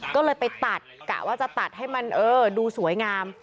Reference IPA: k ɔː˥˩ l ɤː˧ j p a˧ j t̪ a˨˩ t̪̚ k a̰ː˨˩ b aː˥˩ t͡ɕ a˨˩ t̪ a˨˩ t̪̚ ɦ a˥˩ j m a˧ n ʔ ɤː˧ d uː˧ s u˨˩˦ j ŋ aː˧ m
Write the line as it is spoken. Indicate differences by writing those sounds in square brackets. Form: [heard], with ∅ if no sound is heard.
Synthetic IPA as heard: k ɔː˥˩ l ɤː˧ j p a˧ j t̪ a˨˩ t̪̚ k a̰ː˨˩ [w] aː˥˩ t͡ɕ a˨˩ t̪ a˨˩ t̪̚ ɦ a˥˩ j m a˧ n ʔ ɤː˧ d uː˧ s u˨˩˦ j ŋ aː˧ m